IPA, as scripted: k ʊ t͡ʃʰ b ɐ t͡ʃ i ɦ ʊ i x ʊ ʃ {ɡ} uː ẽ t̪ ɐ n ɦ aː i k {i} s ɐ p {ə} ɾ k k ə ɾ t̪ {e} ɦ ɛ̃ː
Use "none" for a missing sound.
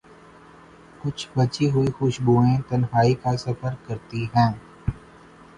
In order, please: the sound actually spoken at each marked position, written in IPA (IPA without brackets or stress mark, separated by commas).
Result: b, a, ə, i